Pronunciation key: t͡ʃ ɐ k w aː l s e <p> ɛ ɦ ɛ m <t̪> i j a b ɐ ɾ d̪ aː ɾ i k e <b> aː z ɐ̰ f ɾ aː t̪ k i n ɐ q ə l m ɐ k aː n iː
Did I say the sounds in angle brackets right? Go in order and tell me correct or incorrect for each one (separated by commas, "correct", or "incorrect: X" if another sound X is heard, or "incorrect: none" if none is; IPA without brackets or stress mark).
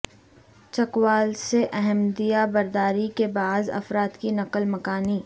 incorrect: ʔ, incorrect: d̪, correct